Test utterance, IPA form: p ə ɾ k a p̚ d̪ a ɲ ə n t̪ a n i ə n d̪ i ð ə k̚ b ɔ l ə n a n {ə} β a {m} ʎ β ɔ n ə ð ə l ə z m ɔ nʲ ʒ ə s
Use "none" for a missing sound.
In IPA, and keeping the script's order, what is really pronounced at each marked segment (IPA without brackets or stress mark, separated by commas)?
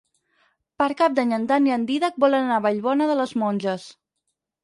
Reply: a, none